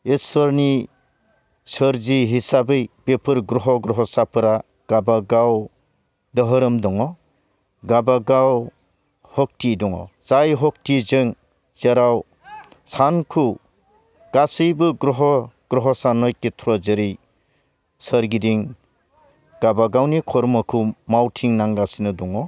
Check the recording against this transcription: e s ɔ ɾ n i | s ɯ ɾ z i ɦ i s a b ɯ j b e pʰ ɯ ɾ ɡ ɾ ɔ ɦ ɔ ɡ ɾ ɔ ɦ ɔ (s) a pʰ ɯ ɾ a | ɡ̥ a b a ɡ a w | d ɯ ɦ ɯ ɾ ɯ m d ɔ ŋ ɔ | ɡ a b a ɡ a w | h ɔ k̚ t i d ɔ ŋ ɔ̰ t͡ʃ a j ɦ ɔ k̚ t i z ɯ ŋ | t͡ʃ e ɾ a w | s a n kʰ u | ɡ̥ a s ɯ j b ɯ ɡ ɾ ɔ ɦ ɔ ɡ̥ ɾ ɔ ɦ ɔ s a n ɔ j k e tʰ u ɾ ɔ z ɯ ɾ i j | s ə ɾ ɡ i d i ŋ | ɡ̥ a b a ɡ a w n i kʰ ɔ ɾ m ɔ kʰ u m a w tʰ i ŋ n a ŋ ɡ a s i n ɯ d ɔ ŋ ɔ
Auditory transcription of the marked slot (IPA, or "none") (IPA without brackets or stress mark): s